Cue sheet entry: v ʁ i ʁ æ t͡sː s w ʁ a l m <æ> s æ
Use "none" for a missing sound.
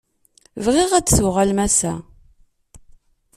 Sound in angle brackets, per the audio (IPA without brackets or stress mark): æ